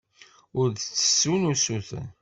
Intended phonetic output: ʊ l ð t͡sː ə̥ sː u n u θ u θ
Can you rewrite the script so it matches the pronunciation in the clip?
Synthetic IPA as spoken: ʊ ɾ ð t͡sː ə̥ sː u n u s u θ